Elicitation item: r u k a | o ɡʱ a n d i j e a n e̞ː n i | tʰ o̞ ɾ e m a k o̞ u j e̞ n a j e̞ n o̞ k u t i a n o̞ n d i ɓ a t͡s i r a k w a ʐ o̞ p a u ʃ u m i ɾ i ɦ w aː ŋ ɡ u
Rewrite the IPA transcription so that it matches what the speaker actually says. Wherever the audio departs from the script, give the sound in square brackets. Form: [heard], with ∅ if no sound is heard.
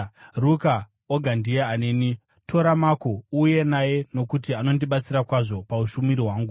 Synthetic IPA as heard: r u k a | o ɡʱ a n d i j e a n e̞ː n i | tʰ o̞ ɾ [a] m a k o̞ u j e̞ n a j e̞ n o̞ k u t i a n o̞ n d i ɓ a t͡s i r a k w a ʐ o̞ p a u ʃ u m i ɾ i ɦ w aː ŋ ɡ u